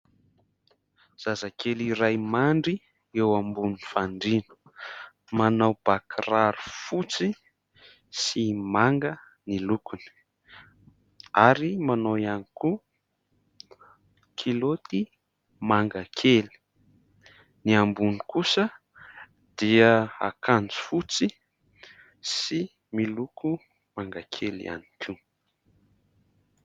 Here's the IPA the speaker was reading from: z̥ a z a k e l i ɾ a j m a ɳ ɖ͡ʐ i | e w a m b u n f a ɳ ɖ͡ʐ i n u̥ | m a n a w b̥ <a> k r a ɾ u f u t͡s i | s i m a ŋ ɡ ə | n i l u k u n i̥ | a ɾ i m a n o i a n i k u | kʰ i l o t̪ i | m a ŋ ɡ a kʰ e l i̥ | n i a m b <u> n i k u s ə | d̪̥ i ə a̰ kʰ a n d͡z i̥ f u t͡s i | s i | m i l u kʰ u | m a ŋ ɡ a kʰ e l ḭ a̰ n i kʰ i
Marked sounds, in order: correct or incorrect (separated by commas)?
correct, correct